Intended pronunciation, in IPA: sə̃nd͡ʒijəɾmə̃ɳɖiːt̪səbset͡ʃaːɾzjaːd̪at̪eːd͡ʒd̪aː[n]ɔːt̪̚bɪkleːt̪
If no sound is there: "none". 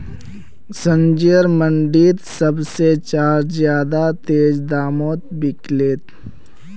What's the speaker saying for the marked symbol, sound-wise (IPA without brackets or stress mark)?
m